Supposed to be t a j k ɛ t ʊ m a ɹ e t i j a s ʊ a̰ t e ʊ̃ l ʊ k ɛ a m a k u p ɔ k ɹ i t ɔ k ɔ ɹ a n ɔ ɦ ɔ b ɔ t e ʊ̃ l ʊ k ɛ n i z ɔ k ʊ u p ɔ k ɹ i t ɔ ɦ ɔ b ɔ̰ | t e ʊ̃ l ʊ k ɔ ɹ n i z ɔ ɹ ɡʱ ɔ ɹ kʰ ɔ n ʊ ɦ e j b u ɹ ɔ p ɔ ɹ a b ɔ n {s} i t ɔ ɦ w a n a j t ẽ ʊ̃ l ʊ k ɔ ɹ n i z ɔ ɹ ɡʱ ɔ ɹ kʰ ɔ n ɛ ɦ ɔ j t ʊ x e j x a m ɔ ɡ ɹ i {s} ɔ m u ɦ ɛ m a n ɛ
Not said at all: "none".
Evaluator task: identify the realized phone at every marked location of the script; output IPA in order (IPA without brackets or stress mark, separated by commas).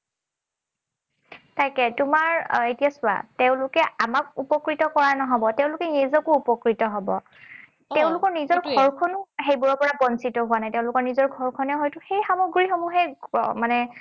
s, x